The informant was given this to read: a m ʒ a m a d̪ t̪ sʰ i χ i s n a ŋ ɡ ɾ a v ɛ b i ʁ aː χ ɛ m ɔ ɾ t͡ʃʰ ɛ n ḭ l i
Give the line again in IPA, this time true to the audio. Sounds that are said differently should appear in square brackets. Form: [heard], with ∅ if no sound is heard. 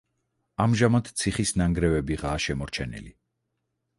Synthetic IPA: a m ʒ a m a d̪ t̪ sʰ i χ i s n a ŋ ɡ ɾ [ɛ] v ɛ b i ʁ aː [ʃ] ɛ m ɔ ɾ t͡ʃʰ ɛ n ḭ l i